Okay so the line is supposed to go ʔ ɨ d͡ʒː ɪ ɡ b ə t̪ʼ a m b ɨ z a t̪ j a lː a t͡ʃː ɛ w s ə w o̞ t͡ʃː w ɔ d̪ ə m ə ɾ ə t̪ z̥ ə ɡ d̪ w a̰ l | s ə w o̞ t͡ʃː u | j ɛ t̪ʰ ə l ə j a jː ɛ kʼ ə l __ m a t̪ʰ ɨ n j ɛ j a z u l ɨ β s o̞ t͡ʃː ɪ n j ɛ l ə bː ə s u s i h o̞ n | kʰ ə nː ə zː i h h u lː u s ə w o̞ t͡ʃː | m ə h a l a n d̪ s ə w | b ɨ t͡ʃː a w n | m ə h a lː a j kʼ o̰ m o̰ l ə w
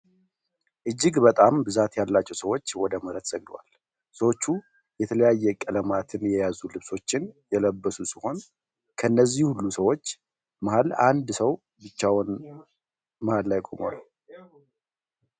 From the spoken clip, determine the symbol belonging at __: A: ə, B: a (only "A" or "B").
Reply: A